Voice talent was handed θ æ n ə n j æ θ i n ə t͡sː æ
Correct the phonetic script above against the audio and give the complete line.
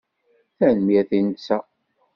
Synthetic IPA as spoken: θ æ n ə m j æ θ i n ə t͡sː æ